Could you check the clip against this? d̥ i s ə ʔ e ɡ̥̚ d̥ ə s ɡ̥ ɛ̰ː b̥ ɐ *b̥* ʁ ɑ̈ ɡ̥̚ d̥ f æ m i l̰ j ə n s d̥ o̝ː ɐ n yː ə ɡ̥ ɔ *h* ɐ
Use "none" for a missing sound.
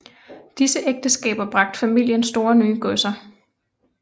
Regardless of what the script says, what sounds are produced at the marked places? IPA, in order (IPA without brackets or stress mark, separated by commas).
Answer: b̥, s